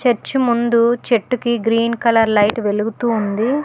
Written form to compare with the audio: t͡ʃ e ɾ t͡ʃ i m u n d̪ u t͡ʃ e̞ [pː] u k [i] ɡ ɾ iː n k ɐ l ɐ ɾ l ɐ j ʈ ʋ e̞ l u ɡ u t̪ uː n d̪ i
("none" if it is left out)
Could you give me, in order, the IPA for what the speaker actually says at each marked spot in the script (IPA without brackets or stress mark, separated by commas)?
ʈː, i